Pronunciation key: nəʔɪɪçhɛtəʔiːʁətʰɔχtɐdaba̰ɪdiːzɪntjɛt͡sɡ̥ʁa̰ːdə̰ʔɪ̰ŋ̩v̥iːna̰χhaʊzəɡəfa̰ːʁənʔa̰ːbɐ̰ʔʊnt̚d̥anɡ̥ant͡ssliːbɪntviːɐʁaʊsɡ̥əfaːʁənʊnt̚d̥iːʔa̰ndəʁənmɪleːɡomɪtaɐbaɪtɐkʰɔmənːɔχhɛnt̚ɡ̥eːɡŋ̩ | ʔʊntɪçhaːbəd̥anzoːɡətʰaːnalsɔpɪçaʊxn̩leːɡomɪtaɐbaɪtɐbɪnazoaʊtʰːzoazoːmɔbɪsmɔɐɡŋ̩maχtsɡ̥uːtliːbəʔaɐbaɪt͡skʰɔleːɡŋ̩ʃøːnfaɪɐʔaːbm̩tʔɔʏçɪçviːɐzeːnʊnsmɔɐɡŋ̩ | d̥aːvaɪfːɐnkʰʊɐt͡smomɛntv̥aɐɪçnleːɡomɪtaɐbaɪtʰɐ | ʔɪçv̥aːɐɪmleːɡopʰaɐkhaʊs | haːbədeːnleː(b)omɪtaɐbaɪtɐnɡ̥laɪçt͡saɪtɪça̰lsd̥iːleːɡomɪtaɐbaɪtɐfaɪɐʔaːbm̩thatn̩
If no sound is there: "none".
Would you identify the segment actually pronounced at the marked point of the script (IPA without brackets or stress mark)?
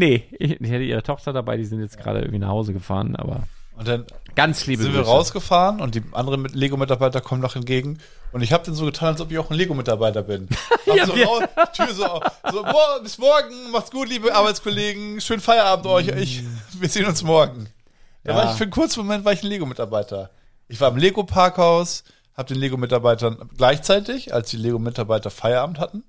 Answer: ɡ